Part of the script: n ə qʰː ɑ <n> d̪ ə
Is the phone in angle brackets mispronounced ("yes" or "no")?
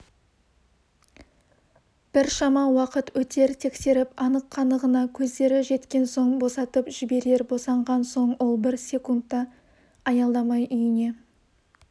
no